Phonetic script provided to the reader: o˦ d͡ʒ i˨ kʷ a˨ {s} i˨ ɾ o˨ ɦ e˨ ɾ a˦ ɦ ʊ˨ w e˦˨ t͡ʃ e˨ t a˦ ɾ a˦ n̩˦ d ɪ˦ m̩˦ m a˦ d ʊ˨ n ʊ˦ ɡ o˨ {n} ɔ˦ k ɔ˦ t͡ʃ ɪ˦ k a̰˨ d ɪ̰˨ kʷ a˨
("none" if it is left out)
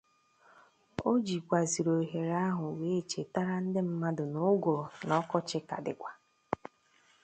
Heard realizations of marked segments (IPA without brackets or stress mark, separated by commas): z, n